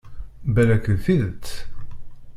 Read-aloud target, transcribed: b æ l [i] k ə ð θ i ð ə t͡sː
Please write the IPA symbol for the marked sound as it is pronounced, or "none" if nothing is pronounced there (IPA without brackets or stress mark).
æ